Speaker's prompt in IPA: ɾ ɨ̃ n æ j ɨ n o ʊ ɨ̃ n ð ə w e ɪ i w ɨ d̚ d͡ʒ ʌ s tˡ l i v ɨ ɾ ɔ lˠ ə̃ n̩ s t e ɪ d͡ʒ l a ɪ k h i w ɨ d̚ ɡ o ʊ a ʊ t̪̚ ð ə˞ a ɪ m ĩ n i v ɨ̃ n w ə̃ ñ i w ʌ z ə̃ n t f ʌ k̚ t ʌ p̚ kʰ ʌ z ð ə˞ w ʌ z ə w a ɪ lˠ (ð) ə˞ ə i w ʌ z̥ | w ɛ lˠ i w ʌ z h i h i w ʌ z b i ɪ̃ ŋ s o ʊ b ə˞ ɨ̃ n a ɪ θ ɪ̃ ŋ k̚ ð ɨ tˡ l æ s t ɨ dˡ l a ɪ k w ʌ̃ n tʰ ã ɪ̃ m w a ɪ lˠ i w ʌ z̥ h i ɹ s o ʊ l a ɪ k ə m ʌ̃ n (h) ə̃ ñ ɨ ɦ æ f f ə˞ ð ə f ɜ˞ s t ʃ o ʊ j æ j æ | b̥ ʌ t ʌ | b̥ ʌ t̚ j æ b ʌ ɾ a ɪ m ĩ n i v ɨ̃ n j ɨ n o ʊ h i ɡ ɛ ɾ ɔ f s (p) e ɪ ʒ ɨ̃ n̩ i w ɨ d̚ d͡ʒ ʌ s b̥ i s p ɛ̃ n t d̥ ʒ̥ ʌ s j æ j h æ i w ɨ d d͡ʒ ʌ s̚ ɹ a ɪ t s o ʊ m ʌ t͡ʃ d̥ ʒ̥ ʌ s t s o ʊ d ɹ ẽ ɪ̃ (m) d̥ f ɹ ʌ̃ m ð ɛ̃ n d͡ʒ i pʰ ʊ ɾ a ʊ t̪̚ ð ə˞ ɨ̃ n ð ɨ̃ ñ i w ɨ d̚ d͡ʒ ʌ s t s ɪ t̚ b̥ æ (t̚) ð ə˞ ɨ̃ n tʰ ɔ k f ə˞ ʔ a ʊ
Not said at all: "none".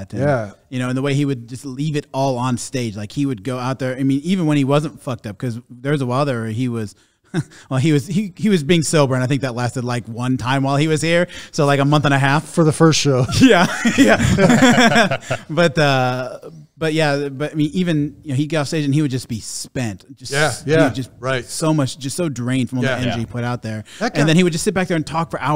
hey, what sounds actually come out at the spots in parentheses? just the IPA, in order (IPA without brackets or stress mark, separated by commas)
ð, θ, t, n, k̚